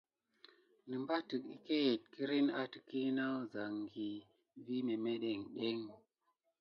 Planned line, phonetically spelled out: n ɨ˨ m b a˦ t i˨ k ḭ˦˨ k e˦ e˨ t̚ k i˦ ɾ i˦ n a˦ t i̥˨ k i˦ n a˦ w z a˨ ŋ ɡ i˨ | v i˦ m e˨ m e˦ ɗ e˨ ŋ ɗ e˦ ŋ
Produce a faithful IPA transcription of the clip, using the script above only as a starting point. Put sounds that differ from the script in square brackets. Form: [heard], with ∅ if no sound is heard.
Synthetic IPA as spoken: n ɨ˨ m b a˦ t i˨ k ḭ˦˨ k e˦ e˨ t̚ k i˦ ɾ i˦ n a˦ t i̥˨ k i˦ n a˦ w z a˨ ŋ ɡ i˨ | v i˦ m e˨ m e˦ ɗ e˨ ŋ ɗ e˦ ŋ